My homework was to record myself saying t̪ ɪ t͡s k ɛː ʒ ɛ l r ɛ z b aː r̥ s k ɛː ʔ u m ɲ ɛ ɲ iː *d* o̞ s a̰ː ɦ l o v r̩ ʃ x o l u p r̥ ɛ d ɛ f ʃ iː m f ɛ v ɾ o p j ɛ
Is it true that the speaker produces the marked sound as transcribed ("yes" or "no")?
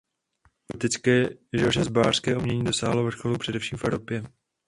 yes